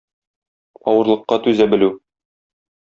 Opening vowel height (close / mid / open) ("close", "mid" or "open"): open